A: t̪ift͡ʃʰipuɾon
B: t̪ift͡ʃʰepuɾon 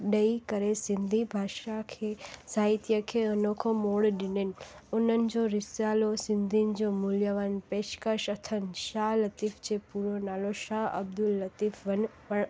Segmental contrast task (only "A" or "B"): B